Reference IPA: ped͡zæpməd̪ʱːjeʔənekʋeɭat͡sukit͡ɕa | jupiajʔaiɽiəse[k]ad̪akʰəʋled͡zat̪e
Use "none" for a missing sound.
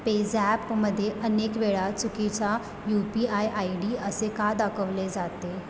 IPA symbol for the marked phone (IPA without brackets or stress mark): k